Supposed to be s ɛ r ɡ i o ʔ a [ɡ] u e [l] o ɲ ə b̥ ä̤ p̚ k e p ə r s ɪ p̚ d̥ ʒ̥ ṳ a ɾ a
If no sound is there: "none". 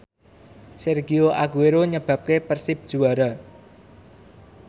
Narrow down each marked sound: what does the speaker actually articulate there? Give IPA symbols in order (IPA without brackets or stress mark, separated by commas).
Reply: ɡ, ɾ